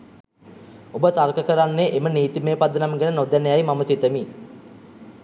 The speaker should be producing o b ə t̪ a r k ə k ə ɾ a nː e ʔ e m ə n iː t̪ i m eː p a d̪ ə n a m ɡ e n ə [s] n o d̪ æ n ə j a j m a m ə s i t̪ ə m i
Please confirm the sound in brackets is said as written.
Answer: no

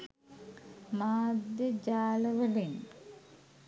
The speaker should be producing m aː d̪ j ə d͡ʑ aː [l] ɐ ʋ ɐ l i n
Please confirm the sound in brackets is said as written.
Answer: yes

